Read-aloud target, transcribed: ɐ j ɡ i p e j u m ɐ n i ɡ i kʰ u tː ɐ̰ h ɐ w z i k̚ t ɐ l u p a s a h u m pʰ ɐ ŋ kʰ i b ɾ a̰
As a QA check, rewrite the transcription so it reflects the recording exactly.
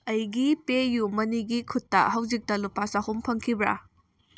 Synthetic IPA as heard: ɐ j ɡ i p e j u m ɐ n i ɡ i kʰ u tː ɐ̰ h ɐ w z i k̚ t ɐ l u p a s a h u m pʰ ɐ ŋ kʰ i b ɾ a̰